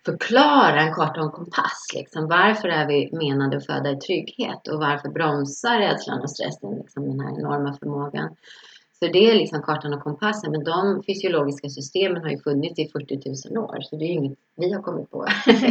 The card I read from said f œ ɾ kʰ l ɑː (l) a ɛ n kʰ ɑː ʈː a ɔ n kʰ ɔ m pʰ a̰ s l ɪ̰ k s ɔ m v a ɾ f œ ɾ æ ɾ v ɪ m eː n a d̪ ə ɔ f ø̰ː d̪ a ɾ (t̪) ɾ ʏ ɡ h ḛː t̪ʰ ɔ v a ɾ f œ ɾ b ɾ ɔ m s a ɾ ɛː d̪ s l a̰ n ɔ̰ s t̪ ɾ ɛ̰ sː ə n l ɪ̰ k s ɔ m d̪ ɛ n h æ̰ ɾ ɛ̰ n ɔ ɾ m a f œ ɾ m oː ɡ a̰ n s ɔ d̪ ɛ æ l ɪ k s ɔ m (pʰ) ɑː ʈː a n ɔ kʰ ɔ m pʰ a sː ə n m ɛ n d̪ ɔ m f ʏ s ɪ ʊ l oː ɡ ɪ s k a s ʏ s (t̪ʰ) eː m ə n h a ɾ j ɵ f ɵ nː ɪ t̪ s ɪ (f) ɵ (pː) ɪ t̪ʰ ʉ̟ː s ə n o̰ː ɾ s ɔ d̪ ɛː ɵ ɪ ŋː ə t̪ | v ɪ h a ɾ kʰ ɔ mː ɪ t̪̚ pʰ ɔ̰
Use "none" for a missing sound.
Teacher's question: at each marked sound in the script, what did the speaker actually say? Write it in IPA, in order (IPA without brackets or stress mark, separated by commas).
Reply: ɾ, t̪ʰ, kʰ, t̪, f, ʈː